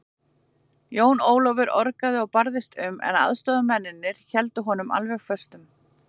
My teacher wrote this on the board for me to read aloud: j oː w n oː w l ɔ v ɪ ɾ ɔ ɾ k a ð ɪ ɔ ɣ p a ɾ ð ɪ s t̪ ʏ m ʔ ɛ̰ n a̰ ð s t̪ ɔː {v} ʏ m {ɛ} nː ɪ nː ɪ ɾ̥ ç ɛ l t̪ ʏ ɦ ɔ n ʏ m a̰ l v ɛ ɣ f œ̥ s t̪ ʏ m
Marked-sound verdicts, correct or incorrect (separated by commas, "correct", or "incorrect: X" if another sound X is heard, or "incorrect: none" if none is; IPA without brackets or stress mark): incorrect: ð, correct